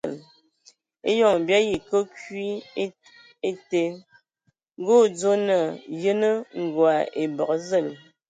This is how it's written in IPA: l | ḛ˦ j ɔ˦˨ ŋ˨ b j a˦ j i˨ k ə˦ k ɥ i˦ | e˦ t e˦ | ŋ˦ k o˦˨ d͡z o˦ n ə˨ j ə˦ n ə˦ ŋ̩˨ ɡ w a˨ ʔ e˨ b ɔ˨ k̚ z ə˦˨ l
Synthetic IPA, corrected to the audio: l | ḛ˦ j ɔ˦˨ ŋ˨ b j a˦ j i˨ k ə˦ k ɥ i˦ | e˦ t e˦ | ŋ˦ ɡ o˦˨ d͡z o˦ n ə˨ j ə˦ n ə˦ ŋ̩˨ ɡ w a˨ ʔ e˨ b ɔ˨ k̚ z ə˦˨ l